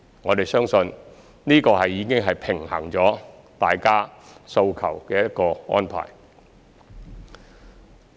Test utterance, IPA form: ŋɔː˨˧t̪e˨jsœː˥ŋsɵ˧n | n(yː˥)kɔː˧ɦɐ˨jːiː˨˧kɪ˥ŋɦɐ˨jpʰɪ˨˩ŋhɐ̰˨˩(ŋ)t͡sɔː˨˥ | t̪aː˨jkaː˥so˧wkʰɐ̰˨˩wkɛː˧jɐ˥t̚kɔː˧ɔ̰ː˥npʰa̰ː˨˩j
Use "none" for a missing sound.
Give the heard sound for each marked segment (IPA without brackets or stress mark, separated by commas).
iː˥, ŋ